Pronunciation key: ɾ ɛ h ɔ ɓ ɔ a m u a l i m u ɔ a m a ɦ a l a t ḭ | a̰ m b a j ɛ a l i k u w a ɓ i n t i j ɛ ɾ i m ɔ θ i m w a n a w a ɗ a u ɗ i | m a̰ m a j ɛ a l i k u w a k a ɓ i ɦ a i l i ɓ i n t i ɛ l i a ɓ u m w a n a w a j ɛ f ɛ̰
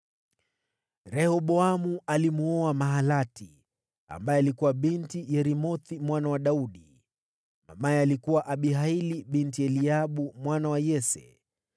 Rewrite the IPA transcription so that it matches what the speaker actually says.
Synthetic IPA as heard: ɾ ɛ h ɔ ɓ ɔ a m u a l i m u ɔ a m a ɦ a l a t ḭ | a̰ m b a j ɛ a l i k u w a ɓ i n t i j ɛ ɾ i m ɔ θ i m w a n a w a ɗ a u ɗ i | m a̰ m a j ɛ a l i k u w a ʔ a ɓ i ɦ a i l i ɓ i n t i ɛ l i a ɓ u m w a n a w a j ɛ s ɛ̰